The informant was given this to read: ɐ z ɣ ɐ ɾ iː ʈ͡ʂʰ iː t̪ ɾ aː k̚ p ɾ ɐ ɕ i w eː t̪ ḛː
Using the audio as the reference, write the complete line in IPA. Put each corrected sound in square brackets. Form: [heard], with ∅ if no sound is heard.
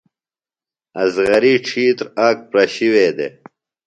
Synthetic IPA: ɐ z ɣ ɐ ɾ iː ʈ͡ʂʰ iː t̪ ɾ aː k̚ p ɾ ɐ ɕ i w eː [d̪] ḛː

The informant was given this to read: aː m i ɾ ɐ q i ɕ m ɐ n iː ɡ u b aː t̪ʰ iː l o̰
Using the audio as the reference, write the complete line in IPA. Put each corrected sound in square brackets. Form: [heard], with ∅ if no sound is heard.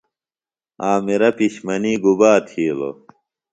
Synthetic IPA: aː m i ɾ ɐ [p] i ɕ m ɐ n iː ɡ u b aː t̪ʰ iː l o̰

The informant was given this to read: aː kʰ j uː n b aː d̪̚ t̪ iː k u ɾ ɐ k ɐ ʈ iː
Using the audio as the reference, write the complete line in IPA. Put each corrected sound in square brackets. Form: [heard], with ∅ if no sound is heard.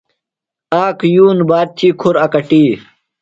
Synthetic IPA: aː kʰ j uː n b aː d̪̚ [t̪ʰ] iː [kʰ] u ɾ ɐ k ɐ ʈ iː

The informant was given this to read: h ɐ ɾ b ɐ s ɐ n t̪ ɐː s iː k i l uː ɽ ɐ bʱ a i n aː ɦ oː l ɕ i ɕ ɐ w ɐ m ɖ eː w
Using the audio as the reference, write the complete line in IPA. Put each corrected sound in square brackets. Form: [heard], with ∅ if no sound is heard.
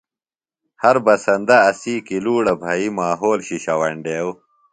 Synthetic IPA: h ɐ ɾ b ɐ s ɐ n [d̪] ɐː s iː k i l uː ɽ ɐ bʱ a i [m] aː ɦ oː l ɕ i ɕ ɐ w ɐ [ɳ] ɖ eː w

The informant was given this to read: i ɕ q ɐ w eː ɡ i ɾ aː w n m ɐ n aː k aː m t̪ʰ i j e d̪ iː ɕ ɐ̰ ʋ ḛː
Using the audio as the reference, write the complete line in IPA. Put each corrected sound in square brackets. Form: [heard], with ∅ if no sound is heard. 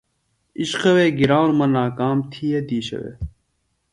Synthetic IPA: i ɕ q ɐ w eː ɡ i ɾ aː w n m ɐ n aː k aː m t̪ʰ i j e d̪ iː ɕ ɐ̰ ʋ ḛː

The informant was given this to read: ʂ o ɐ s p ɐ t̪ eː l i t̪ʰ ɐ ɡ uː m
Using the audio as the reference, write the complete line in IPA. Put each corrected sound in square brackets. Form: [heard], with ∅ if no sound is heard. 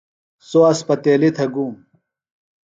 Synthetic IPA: [s] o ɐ s p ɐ t̪ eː l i t̪ʰ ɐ ɡ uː m

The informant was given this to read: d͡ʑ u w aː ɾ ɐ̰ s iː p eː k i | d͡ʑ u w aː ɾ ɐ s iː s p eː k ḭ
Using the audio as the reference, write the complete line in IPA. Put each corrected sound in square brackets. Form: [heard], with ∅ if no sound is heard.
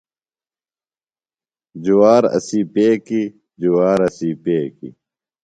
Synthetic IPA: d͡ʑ u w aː ɾ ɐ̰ s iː p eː k i | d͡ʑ u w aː ɾ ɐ s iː [∅] p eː k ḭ

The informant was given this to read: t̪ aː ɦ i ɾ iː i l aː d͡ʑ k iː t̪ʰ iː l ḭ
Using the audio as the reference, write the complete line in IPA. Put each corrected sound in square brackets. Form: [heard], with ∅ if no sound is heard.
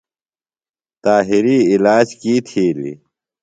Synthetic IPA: t̪ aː ɦ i ɾ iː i l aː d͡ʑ k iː t̪ʰ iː l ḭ

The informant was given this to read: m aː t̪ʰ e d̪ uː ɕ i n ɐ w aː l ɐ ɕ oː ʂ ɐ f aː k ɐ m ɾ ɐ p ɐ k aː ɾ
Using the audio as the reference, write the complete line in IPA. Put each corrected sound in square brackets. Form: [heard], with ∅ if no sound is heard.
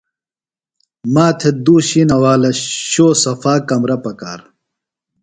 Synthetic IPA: m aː t̪ʰ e d̪ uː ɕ i n ɐ w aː l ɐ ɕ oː [s] ɐ f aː k ɐ m ɾ ɐ p ɐ k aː ɾ

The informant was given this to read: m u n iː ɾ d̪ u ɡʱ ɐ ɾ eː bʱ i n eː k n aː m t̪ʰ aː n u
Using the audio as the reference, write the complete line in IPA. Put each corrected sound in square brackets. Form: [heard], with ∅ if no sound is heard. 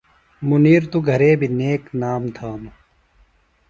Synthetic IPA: m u n iː ɾ [t̪] u ɡʱ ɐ ɾ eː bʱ i n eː k n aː m t̪ʰ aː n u

